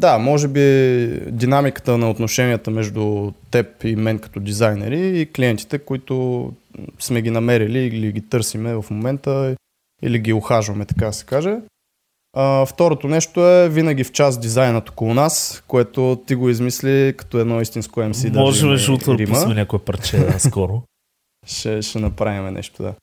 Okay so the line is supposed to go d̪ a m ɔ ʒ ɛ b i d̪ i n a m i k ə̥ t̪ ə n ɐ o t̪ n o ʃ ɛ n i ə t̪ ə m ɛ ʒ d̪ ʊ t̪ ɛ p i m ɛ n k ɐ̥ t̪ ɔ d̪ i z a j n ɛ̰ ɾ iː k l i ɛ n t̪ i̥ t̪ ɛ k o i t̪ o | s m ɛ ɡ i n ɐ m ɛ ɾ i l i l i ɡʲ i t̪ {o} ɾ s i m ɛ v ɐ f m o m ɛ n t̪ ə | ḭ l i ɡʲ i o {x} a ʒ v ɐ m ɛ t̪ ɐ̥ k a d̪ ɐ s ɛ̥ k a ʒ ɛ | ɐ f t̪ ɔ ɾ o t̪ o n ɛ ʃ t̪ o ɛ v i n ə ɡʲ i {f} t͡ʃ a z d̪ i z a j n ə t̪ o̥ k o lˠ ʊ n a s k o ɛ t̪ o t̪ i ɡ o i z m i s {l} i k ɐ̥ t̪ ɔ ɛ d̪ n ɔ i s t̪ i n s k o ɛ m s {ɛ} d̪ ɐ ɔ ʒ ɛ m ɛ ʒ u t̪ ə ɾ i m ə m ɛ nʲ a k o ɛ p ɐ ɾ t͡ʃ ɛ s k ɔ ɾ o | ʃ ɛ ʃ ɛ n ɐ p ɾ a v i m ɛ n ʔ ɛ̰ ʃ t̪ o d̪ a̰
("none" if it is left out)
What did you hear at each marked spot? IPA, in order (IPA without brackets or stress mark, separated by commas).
ɤ, x, f, l, i